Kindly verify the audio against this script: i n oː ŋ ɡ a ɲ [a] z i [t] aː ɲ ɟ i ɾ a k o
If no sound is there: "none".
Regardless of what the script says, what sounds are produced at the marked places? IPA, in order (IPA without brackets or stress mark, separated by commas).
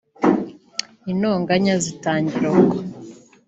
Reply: a, t